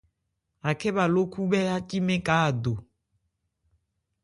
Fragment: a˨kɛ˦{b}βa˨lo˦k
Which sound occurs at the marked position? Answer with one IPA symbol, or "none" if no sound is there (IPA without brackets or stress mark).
none